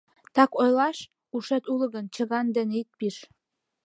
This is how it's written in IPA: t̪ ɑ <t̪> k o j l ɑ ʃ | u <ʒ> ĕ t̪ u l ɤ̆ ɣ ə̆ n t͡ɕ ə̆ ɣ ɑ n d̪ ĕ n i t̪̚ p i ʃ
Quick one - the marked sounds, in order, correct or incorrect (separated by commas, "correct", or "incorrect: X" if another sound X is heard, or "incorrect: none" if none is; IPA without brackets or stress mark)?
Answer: incorrect: none, incorrect: ʃ